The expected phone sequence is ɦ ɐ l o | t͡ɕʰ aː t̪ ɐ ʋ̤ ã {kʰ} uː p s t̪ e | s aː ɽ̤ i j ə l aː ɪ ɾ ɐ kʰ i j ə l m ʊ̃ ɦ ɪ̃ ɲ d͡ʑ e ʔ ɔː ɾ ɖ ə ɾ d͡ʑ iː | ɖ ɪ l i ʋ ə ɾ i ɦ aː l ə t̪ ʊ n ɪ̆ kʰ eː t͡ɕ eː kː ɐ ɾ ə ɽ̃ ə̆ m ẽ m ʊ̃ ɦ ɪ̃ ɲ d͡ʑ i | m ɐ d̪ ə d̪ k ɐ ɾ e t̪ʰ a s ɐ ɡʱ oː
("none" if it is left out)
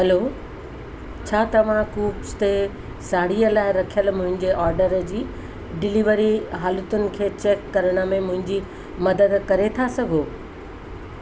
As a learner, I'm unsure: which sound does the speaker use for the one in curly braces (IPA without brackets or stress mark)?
k